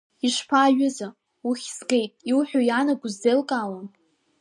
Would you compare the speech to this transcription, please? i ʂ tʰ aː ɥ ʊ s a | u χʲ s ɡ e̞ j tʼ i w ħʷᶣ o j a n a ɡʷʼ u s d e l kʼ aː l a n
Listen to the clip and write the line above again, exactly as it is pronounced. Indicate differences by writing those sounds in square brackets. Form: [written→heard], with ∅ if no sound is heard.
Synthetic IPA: i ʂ [tʰ→pʰ] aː ɥ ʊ [s→z] a | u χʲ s ɡ e̞ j tʼ i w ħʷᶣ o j a n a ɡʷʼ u [s→z] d e l kʼ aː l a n